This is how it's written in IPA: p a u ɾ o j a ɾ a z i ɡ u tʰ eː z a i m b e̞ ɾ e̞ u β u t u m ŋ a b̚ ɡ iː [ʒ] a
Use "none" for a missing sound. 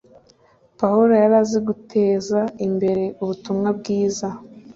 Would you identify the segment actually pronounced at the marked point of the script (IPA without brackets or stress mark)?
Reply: z